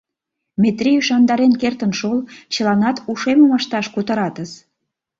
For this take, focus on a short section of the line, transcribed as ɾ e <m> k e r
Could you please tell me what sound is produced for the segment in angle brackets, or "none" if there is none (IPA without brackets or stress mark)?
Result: n